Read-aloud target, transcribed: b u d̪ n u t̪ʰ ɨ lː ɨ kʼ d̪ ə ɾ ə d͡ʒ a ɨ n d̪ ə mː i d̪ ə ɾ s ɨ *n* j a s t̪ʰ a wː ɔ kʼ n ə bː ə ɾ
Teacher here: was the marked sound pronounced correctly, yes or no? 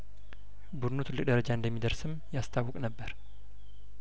no